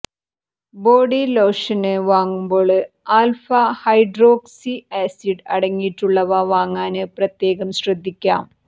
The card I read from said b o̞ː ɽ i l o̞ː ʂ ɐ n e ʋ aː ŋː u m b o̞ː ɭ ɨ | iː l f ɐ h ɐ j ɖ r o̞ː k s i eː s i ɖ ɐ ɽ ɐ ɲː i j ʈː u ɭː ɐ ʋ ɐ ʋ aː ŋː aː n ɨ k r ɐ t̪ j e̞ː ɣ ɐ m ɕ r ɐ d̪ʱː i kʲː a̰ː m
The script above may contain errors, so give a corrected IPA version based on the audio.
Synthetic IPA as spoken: b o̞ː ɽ i l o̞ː ʂ ɐ n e ʋ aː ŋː u m b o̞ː ɭ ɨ | aː l f ɐ h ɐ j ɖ r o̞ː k s i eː s i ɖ ɐ ɽ ɐ ŋː i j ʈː u ɭː ɐ ʋ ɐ ʋ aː ŋː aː n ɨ p r ɐ t̪ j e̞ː ɣ ɐ m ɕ r ɐ d̪ʱː i kʲː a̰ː m